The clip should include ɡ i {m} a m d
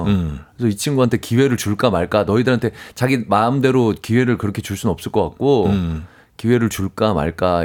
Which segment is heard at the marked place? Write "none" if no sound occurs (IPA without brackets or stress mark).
m